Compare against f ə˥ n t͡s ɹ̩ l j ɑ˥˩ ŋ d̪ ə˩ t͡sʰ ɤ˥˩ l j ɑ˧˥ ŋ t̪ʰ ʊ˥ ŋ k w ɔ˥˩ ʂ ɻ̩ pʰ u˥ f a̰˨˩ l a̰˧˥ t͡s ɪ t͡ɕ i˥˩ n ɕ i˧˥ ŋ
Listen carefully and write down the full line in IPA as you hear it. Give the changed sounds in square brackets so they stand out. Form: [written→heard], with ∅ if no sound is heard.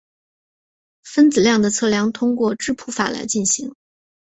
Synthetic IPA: f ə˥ n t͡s ɹ̩ l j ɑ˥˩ ŋ d̪ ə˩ t͡sʰ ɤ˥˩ l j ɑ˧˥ ŋ t̪ʰ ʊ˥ ŋ k w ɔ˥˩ [ʂ→ʈ͡ʂ] ɻ̩ pʰ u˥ f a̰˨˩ l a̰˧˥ [t͡s→∅] ɪ t͡ɕ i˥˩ n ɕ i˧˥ ŋ